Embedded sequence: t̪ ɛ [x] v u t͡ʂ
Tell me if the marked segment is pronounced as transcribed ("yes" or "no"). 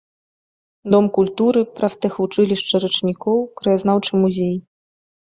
yes